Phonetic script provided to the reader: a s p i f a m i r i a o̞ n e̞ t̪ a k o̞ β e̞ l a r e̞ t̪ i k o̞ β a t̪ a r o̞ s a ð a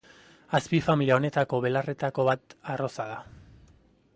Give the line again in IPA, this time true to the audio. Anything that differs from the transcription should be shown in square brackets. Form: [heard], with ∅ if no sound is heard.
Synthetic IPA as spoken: a s p i f a m i [l] i a o̞ n e̞ t̪ a k o̞ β e̞ l a r e̞ t̪ [a] k o̞ β a t̪ a r o̞ s a ð a